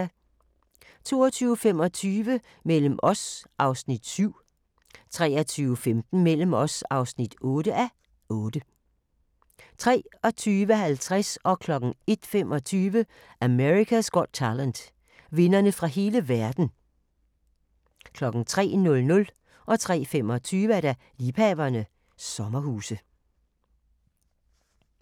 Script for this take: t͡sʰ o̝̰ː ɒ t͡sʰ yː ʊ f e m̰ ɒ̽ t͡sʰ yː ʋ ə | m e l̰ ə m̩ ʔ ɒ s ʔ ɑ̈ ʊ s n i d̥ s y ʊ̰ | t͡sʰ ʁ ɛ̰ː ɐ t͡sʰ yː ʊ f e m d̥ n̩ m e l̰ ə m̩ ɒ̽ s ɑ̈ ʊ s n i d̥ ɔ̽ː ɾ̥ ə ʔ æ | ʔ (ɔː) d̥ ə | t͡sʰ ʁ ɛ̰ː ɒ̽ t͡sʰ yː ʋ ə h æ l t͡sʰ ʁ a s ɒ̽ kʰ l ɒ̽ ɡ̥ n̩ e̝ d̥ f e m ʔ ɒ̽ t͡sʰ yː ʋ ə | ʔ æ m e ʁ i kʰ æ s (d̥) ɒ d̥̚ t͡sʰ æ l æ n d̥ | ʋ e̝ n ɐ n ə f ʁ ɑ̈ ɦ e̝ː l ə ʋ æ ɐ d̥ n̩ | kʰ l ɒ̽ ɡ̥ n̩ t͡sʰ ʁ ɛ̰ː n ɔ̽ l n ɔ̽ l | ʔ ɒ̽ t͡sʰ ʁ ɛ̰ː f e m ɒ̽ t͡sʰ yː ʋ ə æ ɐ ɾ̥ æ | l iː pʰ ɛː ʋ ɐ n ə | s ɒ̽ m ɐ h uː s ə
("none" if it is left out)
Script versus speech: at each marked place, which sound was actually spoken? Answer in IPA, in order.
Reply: ɔː, ɡ̥

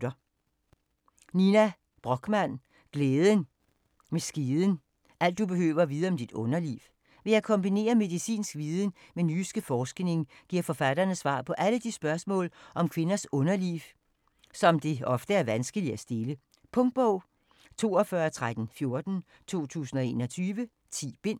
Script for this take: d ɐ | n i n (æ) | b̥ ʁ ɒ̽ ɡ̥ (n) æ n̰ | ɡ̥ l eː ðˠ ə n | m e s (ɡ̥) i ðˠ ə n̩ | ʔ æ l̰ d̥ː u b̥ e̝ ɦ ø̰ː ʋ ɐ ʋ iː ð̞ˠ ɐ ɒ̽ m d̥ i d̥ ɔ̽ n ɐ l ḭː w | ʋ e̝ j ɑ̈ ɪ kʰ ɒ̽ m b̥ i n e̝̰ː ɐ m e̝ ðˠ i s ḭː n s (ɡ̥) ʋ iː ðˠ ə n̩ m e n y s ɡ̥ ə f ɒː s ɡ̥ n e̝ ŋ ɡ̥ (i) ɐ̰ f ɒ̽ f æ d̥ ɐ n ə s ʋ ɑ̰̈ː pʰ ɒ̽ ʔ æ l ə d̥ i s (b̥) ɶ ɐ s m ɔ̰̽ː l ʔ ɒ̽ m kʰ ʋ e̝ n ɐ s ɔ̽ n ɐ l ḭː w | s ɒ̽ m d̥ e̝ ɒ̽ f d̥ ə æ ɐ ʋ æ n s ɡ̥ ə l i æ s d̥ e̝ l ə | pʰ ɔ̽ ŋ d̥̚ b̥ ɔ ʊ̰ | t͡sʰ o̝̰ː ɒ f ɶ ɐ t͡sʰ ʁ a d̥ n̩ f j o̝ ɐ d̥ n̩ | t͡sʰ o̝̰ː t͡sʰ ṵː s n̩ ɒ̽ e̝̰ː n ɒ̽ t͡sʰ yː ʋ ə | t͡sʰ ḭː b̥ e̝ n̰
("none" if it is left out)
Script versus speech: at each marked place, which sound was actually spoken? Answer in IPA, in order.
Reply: æ, m, ɡ̥, ɡ̥, i, b̥

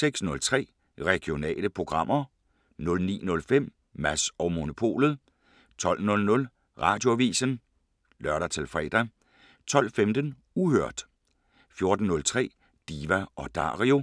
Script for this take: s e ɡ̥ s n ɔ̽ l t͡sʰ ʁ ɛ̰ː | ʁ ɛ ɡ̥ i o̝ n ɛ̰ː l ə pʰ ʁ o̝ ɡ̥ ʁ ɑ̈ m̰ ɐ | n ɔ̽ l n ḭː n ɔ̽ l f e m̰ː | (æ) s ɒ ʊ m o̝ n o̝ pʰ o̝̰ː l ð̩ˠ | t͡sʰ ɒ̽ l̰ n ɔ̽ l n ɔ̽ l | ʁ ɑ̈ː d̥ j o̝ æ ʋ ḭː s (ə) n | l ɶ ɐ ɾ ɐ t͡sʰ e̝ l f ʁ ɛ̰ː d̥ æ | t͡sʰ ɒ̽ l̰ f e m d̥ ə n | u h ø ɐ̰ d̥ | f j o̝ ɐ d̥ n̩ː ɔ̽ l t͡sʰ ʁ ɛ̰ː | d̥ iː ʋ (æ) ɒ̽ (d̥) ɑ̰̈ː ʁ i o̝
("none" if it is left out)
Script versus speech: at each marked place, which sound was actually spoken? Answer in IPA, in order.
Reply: æ, ə, æ, d̥

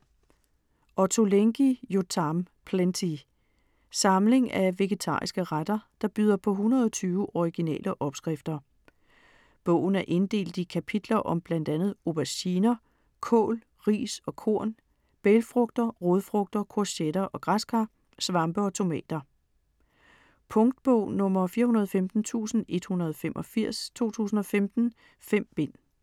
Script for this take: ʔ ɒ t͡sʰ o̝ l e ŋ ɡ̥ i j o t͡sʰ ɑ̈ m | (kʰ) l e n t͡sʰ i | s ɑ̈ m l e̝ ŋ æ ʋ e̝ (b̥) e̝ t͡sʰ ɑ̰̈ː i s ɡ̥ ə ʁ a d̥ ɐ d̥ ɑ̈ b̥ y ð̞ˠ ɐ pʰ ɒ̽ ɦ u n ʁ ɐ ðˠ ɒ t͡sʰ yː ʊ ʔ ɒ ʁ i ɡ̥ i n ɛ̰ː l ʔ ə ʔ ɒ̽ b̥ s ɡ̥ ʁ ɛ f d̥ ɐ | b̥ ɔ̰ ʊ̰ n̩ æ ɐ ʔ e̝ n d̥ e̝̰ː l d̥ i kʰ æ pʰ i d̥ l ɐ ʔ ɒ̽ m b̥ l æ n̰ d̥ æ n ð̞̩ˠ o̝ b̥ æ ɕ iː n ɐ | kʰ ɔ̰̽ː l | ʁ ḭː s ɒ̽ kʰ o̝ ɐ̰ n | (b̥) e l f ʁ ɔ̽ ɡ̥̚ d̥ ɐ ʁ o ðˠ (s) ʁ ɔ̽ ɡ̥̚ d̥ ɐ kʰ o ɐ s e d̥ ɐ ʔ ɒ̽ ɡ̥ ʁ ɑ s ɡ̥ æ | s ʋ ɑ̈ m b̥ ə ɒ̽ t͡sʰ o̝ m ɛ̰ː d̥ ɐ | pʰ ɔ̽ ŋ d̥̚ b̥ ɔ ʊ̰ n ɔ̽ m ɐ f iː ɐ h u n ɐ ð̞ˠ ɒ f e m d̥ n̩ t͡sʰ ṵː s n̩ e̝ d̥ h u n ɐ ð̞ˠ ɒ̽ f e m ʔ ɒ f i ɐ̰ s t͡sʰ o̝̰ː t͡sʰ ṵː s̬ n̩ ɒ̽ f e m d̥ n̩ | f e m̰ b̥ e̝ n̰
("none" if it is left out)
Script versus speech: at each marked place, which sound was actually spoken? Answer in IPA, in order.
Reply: pʰ, ɡ̥, b̥, f

